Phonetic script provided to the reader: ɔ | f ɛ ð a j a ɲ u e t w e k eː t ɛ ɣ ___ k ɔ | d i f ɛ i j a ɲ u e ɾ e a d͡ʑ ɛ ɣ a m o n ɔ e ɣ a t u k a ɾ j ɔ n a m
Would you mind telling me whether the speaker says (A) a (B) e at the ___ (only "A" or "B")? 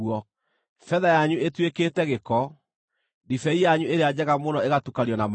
B